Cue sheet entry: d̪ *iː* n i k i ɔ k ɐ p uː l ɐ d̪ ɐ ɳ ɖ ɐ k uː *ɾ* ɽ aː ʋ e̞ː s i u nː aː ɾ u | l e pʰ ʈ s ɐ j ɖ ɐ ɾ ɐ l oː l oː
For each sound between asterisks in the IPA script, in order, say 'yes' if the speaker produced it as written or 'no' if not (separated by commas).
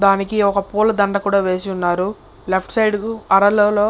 no, no